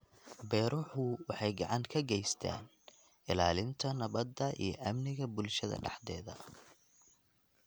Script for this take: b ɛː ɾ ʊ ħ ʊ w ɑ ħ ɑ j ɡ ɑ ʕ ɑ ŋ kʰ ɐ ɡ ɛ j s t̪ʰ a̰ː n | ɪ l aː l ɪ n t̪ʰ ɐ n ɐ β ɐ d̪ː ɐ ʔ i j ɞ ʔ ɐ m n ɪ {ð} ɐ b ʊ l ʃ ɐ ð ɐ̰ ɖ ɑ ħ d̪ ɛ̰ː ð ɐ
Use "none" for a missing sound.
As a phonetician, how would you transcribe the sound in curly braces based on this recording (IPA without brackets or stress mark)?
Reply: ɣ